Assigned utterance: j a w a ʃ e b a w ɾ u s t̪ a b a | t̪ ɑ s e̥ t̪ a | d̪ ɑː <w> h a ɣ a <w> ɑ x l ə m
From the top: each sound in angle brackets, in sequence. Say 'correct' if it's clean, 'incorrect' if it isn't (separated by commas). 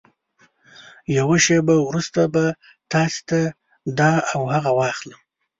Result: correct, correct